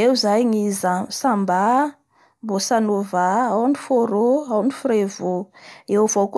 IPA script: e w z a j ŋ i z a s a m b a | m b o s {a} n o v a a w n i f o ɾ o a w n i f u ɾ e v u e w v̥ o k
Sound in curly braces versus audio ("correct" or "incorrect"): correct